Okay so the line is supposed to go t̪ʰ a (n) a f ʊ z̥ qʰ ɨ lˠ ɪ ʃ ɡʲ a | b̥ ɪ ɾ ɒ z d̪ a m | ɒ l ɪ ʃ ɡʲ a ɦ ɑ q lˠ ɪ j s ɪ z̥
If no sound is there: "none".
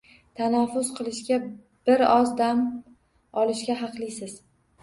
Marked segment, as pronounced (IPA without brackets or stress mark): n